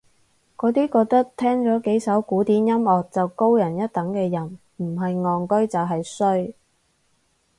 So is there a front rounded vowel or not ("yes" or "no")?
no